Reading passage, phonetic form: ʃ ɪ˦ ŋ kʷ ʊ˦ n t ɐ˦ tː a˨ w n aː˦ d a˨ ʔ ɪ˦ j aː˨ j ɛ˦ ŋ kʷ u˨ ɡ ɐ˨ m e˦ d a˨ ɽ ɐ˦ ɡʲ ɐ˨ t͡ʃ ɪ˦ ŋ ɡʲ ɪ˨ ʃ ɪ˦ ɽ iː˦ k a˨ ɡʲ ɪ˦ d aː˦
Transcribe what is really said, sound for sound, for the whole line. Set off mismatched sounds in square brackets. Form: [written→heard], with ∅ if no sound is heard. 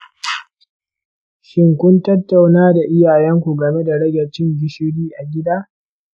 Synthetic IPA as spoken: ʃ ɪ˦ ŋ kʷ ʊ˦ n t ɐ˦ tː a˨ w n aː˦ d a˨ ʔ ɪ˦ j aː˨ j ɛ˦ ŋ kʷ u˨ ɡ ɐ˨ m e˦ d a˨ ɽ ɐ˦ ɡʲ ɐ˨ t͡ʃ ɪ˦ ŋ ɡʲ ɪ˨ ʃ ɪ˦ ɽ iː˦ [k→ʔ] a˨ ɡʲ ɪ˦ d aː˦